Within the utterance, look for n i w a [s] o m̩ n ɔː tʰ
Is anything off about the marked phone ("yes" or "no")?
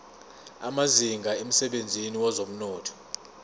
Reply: yes